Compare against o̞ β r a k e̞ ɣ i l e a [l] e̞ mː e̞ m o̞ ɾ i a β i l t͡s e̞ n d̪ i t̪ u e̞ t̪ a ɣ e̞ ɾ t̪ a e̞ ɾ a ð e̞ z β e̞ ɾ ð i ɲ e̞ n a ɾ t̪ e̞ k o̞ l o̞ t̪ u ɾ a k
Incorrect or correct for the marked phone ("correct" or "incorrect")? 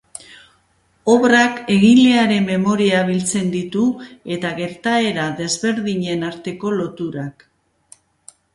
incorrect